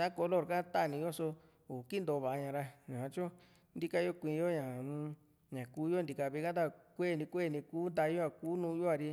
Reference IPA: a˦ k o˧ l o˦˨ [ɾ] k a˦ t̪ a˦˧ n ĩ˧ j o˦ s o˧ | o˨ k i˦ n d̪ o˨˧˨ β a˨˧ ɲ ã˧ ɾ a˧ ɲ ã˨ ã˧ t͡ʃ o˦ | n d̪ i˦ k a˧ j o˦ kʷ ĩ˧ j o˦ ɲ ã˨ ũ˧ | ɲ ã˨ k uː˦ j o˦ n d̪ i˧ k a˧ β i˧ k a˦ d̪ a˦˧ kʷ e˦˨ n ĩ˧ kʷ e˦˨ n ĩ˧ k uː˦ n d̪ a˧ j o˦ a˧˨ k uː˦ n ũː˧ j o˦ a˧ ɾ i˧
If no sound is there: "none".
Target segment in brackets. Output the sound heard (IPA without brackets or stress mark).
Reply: ɾ